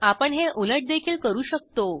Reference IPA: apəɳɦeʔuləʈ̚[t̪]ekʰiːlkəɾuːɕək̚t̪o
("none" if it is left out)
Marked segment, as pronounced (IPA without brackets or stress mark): d̪